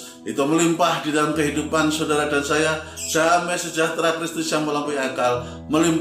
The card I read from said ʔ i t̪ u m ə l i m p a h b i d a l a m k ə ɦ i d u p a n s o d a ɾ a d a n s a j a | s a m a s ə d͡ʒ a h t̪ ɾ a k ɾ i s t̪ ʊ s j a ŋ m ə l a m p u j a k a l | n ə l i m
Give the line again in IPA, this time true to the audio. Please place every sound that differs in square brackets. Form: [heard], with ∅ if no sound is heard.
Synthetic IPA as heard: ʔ i t̪ u m ə l i m p a h [d] i d a l a m k ə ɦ i d u p a n s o d a ɾ a d a n s a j a | s a m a s ə d͡ʒ a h t̪ ɾ a k ɾ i s t̪ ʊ s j a ŋ m ə l a m p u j a k a l | [m] ə l i m